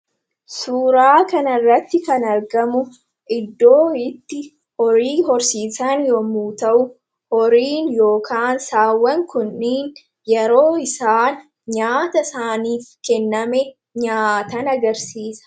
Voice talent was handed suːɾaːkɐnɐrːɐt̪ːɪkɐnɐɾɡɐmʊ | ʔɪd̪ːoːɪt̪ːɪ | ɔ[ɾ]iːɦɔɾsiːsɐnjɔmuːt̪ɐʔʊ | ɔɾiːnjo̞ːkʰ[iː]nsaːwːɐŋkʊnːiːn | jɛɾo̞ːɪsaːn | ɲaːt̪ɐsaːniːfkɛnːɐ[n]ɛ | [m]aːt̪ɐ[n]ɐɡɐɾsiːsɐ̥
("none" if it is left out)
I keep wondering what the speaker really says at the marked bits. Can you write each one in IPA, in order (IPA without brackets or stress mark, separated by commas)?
ɾ, aː, m, ɲ, n